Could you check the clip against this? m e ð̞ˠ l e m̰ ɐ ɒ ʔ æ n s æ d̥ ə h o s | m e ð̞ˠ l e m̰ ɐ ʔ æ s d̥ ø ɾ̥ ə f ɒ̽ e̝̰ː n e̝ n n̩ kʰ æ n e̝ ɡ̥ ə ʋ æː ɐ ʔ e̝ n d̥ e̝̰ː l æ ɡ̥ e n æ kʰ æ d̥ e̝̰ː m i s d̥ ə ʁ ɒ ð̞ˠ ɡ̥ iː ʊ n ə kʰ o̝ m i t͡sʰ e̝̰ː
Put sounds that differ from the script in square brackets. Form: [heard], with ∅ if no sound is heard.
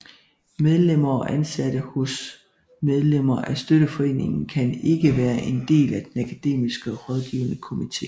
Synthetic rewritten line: m e ð̞ˠ l e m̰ ɐ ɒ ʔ æ n s æ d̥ ə h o s | m e ð̞ˠ l e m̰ ɐ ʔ æ s d̥ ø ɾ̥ ə f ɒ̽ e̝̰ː n e̝ [ŋ] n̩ kʰ æ n e̝ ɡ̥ ə ʋ æː ɐ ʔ e̝ n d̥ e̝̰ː l æ [d̥] e n æ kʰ æ d̥ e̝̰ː m i s [ɡ̥] ə ʁ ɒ ð̞ˠ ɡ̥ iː ʊ n ə kʰ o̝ m i t͡sʰ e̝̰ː